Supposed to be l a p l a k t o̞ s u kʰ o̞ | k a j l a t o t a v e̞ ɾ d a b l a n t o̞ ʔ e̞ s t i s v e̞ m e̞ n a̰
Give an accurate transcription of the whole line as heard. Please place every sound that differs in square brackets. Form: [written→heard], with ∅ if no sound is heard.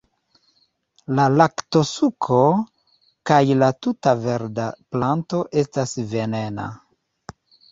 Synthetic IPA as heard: l a [p→∅] l a k t o̞ s u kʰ o̞ | k a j l a t [o→u] t a v e̞ ɾ d a [b→p] l a n t o̞ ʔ e̞ s t [i→a] s v e̞ [m→n] e̞ n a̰